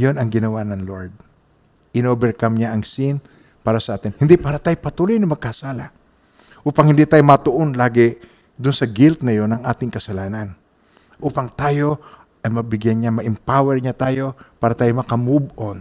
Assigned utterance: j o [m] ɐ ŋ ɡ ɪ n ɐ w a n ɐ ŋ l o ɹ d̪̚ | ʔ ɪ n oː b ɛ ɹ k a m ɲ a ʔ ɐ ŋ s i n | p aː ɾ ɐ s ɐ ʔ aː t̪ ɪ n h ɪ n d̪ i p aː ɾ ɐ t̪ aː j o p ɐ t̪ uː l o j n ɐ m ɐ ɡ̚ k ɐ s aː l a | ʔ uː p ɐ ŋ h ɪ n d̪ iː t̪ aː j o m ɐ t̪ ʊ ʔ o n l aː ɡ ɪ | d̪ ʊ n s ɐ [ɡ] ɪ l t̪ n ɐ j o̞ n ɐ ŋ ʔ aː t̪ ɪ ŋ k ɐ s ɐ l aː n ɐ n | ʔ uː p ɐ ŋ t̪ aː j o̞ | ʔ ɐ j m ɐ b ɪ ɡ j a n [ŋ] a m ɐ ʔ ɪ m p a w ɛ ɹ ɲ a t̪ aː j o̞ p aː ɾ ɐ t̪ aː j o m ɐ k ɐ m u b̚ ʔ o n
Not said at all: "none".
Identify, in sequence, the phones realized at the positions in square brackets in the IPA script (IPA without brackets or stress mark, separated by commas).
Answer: n, ɡ, ɲ